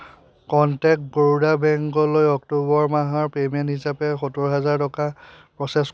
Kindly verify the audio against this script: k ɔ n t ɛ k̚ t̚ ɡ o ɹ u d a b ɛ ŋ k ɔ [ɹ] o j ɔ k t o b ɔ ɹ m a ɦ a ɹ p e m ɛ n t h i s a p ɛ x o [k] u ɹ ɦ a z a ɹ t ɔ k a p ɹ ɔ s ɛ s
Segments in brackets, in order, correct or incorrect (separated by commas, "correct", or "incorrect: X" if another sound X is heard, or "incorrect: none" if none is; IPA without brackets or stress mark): incorrect: l, incorrect: t